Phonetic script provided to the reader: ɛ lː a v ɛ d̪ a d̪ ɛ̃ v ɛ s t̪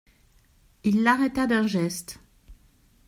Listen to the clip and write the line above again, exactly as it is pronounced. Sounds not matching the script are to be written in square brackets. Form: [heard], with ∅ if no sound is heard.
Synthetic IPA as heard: [i] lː a [ʁ] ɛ [t̪] a d̪ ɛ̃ [ʒ] ɛ s t̪